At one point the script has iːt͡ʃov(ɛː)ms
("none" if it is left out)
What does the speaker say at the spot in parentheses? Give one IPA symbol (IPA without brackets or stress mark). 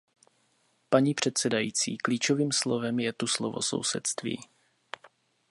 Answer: iː